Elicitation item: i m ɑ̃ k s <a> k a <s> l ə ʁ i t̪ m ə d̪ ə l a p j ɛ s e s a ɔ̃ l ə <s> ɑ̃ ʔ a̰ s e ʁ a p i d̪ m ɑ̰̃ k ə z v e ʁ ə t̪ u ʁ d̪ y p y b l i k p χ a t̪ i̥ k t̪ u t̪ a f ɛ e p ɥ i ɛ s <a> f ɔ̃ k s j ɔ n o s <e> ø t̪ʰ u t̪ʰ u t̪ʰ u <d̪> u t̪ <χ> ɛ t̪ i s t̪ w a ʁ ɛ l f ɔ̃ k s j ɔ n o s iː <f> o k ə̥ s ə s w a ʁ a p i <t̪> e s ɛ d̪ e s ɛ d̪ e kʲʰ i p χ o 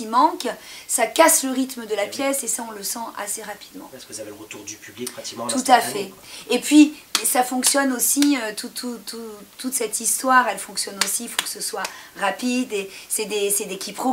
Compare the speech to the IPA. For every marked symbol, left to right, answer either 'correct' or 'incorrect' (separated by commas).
correct, correct, correct, correct, incorrect, incorrect, incorrect, correct, incorrect